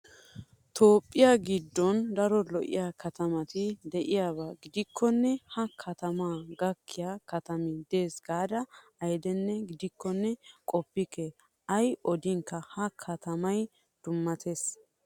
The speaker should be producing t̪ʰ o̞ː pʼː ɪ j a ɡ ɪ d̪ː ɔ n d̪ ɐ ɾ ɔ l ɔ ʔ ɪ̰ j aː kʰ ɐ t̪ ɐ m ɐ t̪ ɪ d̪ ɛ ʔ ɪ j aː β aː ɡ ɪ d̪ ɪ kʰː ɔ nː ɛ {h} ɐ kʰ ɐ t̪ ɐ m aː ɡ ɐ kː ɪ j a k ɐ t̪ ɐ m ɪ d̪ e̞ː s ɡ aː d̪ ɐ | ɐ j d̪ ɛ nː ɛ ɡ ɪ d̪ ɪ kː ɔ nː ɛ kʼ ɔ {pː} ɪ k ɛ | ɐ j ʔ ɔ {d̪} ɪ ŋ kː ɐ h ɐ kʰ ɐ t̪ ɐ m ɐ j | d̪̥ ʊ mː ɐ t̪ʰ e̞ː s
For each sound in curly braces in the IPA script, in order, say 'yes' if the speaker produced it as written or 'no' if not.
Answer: yes, yes, yes

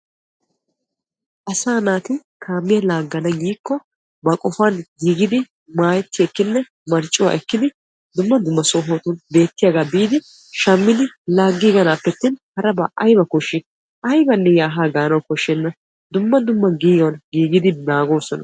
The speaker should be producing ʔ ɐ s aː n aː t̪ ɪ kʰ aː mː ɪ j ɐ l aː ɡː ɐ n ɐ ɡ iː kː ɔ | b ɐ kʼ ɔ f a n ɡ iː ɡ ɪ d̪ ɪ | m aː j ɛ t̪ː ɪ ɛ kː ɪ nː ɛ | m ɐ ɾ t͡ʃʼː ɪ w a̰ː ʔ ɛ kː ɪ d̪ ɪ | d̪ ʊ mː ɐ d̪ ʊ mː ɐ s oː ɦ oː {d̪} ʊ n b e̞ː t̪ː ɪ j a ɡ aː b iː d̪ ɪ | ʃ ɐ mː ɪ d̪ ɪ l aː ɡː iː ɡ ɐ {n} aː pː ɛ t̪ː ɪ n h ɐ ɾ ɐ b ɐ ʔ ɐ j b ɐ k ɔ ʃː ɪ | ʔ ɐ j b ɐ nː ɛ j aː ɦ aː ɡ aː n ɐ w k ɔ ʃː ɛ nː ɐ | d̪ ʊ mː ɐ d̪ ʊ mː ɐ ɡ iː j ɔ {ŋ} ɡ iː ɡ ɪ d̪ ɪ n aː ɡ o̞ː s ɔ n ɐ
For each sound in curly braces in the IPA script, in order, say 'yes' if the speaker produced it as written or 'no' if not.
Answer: no, yes, no

